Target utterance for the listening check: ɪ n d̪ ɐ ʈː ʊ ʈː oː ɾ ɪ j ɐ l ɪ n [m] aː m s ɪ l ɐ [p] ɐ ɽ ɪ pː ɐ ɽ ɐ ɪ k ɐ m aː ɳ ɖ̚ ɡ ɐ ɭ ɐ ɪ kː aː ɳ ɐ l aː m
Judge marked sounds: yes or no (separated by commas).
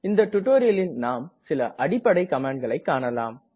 no, no